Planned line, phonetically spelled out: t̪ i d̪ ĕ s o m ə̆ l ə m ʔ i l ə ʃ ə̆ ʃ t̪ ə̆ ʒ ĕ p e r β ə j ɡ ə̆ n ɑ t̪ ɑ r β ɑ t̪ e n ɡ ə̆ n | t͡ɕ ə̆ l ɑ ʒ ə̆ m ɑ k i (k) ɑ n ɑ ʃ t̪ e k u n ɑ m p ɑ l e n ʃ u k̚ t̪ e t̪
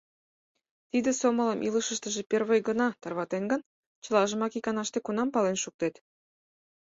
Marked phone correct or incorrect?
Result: correct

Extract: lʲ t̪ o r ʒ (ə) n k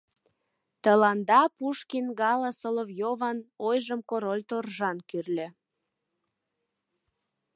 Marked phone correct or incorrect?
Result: incorrect: ɑ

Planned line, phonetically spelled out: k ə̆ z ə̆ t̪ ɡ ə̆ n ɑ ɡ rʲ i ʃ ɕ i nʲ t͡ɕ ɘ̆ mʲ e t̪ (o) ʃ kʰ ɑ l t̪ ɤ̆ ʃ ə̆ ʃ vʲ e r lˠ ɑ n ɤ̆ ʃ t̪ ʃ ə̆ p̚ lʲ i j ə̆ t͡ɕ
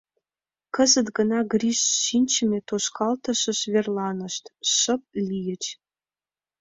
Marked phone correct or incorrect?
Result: correct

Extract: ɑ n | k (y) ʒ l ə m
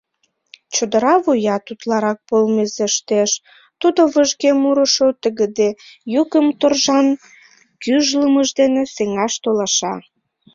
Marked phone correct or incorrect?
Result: correct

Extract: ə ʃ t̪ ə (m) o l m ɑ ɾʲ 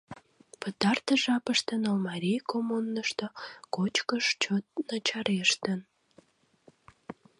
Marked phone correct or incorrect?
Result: incorrect: n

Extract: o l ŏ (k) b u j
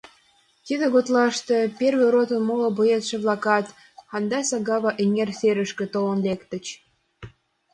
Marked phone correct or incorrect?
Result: incorrect: none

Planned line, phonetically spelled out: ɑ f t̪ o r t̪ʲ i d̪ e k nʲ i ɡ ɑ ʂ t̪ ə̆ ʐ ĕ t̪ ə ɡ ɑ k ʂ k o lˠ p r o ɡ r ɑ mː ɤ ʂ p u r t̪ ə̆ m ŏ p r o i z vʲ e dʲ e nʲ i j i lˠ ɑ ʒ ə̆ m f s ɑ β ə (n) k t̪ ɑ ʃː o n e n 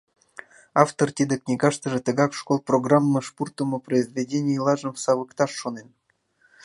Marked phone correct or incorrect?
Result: incorrect: none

